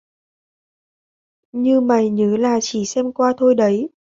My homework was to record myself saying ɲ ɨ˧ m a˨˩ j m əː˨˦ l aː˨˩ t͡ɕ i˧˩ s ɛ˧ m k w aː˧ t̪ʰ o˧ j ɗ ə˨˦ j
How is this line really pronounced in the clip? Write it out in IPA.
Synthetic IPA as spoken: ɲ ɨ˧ m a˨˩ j ɲ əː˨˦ l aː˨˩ t͡ɕ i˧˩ s ɛ˧ m k w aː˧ t̪ʰ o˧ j ɗ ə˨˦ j